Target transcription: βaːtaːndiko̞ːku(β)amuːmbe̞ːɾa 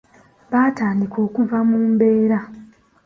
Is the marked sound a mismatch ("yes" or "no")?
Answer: yes